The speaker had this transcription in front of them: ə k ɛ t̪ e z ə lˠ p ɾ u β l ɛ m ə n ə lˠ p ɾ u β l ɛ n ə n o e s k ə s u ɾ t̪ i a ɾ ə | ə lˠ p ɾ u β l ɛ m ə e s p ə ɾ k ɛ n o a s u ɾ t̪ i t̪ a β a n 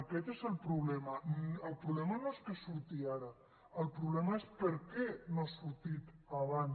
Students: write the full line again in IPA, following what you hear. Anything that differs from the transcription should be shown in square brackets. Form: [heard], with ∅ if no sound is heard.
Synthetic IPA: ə k ɛ t̪ e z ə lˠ p ɾ u β l ɛ m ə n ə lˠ p ɾ u β l ɛ [m] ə n o e s k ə s u ɾ t̪ i a ɾ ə | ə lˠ p ɾ u β l ɛ m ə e s p ə ɾ k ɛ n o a s u ɾ t̪ i t̪ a β a n